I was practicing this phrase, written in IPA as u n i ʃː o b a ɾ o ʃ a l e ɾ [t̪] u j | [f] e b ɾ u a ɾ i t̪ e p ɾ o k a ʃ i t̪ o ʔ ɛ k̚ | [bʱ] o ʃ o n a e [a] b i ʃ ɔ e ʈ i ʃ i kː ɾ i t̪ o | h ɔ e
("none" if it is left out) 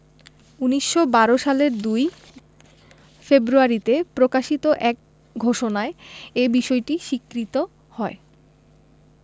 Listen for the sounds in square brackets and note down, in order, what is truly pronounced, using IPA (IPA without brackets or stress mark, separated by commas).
d̪, f, ɡʱ, e